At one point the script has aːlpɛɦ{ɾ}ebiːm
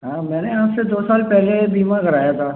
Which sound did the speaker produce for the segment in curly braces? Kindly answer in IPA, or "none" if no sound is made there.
l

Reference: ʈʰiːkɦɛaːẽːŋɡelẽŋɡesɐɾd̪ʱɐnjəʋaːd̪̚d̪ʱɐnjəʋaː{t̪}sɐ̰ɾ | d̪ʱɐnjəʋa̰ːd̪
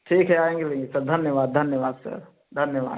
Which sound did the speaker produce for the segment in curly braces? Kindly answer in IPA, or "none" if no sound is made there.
d̪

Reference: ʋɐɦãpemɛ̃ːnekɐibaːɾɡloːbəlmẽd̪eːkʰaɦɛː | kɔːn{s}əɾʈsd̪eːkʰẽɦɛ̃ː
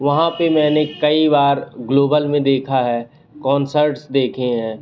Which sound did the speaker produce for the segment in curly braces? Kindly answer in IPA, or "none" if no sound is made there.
s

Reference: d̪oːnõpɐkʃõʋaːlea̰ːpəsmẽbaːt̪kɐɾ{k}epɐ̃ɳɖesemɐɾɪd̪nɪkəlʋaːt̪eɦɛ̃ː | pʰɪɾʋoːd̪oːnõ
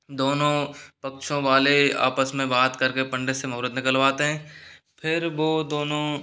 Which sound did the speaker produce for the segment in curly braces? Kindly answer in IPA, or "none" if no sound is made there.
k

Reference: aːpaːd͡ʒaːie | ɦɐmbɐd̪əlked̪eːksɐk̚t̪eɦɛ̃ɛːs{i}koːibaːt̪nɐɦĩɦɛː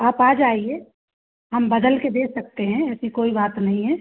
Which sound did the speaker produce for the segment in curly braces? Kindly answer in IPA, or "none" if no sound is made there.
i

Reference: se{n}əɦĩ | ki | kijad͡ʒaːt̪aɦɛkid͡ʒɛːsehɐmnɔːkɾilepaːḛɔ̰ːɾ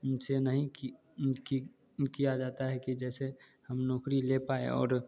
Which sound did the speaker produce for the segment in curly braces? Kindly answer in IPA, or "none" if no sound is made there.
n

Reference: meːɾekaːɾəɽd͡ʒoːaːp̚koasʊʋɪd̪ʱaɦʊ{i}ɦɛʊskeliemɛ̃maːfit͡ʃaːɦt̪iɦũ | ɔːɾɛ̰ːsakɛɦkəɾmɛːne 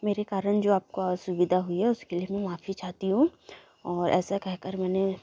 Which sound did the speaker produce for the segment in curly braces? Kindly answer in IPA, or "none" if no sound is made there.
i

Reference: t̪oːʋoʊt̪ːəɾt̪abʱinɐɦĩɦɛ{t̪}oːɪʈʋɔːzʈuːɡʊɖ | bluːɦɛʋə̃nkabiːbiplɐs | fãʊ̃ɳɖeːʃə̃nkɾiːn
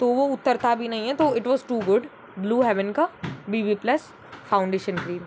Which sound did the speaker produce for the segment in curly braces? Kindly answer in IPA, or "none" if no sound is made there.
t̪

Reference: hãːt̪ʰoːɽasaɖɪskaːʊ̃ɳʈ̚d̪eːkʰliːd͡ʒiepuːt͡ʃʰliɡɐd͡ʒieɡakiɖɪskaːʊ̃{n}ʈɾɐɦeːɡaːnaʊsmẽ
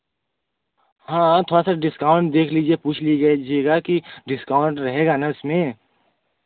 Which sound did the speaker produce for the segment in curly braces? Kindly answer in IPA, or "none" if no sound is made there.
ɳ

